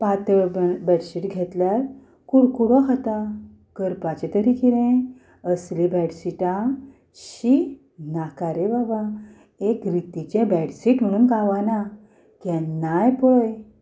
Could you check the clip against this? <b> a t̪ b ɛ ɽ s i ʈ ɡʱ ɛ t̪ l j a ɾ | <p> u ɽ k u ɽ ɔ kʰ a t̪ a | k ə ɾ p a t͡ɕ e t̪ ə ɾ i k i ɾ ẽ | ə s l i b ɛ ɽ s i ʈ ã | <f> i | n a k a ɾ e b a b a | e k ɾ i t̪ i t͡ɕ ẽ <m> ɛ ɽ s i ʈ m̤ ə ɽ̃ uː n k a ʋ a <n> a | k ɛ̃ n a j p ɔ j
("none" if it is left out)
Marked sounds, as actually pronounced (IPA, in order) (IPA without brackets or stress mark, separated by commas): p, k, ɕ, b, n